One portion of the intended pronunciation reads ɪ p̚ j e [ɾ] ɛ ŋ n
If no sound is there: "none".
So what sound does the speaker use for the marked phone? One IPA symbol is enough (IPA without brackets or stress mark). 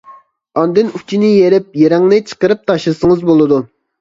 ɾ